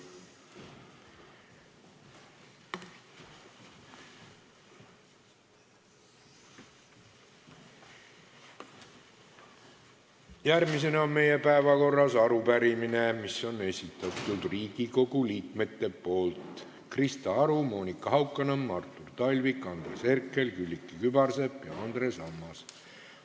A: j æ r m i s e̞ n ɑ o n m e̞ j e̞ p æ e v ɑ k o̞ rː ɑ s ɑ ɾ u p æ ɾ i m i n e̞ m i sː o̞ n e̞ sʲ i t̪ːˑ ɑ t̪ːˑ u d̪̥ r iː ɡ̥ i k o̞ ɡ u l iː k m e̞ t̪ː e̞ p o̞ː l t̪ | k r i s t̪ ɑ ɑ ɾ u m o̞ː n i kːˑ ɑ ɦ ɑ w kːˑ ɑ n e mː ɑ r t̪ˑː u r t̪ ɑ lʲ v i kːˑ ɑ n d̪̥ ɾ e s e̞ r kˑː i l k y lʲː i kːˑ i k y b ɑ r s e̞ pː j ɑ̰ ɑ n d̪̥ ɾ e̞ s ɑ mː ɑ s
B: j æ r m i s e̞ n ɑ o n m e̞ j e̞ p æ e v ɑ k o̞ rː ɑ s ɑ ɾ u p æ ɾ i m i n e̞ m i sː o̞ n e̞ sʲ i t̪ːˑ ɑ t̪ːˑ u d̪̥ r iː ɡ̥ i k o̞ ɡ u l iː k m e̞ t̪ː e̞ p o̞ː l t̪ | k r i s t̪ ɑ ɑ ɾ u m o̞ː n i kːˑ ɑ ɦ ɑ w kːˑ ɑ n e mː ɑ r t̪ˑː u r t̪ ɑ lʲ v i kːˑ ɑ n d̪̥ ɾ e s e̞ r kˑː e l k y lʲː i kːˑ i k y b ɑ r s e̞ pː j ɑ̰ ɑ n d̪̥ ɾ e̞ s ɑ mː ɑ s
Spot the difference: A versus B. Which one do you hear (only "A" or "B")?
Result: B